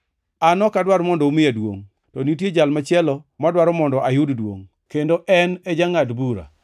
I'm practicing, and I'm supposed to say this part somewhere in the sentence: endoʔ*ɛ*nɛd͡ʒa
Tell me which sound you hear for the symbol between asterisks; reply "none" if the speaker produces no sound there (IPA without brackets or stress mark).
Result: ɛ